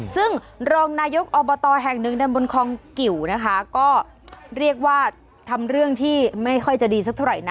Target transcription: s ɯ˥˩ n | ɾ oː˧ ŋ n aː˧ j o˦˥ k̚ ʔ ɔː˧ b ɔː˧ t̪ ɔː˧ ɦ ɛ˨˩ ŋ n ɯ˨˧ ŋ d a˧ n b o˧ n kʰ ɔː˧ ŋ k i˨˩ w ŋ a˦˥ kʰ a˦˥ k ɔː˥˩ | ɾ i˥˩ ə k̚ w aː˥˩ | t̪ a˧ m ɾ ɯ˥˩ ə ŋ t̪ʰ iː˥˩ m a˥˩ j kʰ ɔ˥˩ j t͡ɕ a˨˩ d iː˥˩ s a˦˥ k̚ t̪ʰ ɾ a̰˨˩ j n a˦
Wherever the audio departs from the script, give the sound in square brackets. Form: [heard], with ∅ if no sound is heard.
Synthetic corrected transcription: s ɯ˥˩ [ŋ] | ɾ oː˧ ŋ n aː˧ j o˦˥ k̚ ʔ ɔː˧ b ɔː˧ t̪ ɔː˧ ɦ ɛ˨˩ ŋ n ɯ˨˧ ŋ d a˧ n b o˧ n kʰ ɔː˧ ŋ k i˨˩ w [n] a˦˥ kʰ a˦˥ k ɔː˥˩ | ɾ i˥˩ ə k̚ w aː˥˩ | [t̪ʰ] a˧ m ɾ ɯ˥˩ ə ŋ t̪ʰ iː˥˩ m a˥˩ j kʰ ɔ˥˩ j t͡ɕ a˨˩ d [iː˧] s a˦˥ k̚ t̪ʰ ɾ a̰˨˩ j n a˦